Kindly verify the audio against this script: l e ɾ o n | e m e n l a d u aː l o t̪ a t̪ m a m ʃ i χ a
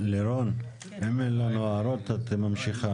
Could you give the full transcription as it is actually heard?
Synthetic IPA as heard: l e ɾ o n | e m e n l a n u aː ɾ o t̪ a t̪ m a m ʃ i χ a